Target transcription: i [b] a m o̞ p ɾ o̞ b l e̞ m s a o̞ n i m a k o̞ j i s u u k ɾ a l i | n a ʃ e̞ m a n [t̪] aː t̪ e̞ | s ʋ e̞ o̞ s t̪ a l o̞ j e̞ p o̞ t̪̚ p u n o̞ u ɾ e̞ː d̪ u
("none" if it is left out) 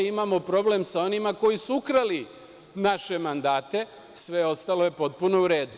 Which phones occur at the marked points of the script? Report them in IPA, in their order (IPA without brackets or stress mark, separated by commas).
m, d̪